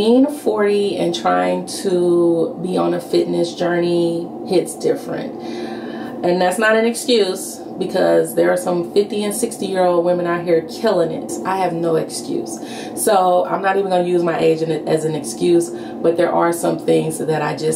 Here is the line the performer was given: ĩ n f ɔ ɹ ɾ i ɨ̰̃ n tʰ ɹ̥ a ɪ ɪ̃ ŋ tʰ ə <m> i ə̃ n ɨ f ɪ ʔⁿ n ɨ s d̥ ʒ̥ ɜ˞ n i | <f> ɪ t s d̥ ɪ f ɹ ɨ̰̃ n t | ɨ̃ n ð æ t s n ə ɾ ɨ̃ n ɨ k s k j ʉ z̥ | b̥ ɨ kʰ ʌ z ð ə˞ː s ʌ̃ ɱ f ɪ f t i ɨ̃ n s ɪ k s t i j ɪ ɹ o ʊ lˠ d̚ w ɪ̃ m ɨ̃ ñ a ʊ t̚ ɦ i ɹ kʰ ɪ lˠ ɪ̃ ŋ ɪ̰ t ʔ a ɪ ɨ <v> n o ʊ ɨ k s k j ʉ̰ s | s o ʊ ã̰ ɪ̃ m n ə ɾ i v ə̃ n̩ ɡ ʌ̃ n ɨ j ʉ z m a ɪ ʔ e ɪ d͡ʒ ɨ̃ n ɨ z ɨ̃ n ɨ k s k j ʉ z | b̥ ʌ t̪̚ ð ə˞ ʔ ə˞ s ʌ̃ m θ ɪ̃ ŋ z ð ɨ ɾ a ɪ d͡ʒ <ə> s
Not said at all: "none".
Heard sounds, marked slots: b, h, v, ʌ

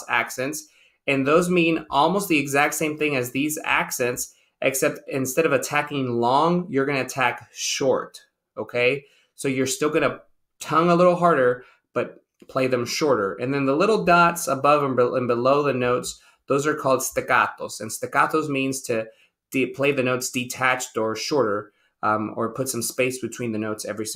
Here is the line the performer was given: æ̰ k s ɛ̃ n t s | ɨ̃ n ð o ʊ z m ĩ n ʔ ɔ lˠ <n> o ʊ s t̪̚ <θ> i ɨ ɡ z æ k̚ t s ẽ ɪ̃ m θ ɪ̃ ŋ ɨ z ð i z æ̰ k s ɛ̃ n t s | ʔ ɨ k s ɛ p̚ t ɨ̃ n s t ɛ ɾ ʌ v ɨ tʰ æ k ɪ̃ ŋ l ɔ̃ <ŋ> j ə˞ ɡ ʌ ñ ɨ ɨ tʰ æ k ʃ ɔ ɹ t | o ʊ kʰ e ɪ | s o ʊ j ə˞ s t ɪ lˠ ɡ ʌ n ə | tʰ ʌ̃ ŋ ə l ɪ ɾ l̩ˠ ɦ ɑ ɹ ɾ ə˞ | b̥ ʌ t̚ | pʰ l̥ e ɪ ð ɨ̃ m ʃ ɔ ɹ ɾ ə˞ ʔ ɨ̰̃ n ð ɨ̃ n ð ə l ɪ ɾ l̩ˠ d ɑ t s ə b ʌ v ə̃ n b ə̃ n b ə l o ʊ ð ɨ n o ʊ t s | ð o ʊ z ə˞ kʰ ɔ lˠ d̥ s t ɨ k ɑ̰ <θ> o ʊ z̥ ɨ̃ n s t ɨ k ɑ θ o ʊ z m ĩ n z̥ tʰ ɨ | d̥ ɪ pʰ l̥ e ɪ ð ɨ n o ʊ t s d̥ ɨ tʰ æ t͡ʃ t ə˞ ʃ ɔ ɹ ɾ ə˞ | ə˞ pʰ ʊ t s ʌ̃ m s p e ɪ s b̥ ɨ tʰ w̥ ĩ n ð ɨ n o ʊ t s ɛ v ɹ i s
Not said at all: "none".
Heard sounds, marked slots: m, ð, ŋ, θ

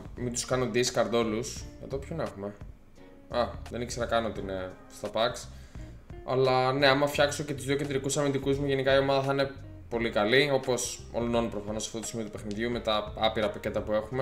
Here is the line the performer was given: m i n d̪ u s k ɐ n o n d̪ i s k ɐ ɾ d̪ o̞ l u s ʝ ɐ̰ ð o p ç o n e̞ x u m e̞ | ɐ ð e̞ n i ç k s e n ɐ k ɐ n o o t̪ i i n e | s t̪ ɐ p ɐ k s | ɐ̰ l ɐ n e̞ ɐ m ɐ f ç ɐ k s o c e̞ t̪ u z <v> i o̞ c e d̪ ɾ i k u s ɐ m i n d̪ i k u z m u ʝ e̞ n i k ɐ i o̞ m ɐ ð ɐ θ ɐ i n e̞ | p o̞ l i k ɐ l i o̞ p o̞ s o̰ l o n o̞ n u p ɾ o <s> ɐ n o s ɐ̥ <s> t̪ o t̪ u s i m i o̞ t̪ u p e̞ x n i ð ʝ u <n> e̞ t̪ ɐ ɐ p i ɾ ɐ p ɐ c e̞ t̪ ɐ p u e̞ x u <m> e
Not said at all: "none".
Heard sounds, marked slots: ð, f, f, m, m

